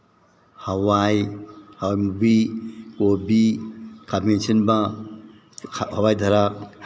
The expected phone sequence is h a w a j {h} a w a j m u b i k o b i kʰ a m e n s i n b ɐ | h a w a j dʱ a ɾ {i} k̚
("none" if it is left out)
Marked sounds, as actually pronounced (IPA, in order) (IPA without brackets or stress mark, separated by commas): h, a